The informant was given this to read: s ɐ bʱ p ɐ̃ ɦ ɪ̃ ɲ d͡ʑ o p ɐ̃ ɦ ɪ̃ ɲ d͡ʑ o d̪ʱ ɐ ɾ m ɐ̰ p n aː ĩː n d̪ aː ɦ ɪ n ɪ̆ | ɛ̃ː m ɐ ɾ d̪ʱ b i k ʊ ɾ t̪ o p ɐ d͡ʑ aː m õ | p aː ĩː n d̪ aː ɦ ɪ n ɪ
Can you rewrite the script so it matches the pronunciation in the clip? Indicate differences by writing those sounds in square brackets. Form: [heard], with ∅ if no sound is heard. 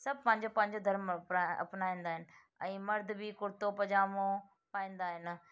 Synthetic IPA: s ɐ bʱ p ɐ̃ ɦ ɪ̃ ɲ d͡ʑ o p ɐ̃ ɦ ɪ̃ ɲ d͡ʑ o d̪ʱ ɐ ɾ m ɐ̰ p n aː ĩː n d̪ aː ɦ ɪ n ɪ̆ | ɛ̃ː m ɐ ɾ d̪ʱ b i k ʊ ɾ t̪ o p ɐ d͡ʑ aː m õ | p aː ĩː n d̪ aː ɦ ɪ n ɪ